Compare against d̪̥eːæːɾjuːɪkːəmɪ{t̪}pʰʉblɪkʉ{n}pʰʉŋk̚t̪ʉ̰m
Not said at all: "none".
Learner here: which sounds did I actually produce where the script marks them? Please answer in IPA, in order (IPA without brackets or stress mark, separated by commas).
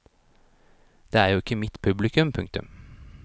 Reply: t̪, m